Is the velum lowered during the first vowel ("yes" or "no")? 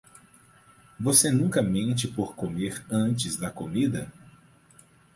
no